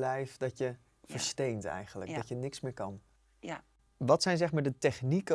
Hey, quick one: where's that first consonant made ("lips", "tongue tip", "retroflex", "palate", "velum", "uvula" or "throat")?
tongue tip